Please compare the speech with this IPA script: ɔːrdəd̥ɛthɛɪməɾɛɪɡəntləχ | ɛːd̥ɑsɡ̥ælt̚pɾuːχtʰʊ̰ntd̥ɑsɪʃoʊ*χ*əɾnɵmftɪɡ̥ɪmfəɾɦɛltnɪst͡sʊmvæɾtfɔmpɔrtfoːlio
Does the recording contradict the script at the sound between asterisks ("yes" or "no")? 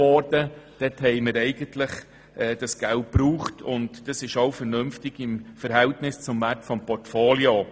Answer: yes